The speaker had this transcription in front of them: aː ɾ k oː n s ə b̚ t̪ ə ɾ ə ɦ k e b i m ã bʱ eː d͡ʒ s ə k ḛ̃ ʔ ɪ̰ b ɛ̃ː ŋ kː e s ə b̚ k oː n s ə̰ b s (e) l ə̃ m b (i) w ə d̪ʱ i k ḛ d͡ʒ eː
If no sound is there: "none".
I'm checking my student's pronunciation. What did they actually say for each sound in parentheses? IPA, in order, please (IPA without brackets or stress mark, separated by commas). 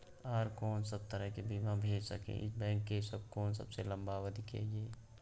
e, a